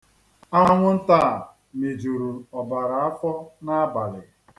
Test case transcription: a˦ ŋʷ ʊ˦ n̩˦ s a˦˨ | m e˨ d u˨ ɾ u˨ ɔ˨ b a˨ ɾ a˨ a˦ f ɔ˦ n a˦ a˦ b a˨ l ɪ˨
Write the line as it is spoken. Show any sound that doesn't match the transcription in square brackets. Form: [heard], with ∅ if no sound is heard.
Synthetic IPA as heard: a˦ ŋʷ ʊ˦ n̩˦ [t] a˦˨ | m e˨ [d͡ʒ] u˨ ɾ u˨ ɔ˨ b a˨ ɾ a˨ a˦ f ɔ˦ n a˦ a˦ b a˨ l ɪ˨